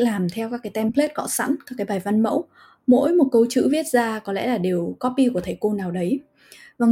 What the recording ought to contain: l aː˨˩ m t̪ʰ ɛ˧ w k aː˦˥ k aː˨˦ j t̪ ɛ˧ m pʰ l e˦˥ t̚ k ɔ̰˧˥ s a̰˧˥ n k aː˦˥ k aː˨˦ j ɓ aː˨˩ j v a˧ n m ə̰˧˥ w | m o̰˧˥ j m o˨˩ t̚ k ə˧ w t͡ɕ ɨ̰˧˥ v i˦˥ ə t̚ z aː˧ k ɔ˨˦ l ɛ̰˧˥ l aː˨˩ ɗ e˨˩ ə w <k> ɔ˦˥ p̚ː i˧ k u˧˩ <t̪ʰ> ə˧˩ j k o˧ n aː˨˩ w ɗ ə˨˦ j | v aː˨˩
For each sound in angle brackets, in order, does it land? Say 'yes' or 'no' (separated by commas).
yes, yes